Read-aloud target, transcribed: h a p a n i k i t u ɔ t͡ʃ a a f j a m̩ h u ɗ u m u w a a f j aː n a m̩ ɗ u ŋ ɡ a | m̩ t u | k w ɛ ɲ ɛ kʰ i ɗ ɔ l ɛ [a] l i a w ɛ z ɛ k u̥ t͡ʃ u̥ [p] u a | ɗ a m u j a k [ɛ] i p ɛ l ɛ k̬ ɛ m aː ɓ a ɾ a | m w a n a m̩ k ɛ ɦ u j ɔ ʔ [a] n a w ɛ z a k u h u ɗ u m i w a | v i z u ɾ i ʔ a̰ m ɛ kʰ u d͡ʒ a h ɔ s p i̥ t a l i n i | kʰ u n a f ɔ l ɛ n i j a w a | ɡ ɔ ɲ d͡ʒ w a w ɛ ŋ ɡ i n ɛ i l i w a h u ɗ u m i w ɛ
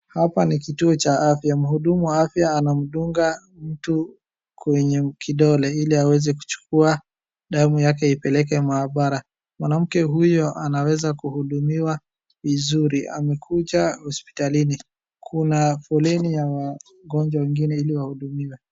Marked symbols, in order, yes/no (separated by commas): no, no, yes, yes